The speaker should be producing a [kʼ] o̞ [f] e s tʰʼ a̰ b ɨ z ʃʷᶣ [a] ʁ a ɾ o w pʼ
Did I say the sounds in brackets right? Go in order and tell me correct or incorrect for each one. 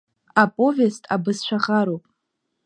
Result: incorrect: pʼ, incorrect: v, correct

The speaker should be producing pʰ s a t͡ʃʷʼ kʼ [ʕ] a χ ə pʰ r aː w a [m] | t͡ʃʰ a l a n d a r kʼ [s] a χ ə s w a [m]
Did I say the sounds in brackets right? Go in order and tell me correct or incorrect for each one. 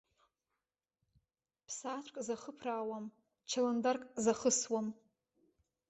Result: incorrect: z, correct, incorrect: z, correct

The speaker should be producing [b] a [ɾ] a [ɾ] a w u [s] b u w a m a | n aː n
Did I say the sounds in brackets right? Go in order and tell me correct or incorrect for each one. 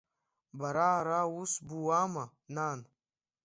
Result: correct, correct, correct, correct

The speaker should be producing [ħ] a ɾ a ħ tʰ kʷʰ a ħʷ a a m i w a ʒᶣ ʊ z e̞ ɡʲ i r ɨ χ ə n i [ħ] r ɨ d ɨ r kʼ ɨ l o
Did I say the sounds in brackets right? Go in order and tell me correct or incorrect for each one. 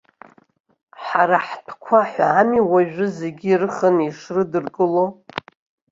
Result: correct, incorrect: ʂ

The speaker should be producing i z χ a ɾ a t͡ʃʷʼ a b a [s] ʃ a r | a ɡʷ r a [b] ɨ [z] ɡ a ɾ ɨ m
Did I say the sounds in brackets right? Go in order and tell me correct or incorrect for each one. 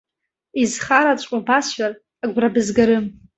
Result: correct, correct, correct

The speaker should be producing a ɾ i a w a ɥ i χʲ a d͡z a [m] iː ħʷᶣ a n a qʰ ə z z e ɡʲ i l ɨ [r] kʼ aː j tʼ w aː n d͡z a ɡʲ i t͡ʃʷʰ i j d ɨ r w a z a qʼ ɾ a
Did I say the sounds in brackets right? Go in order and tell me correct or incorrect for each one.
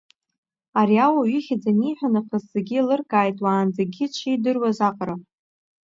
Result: incorrect: n, correct

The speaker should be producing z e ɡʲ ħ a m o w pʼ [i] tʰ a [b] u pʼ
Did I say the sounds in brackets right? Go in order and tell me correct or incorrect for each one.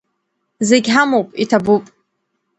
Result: correct, correct

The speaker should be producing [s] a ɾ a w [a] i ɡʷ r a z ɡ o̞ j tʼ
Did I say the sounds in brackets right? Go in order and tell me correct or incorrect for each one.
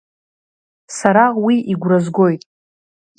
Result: correct, incorrect: i

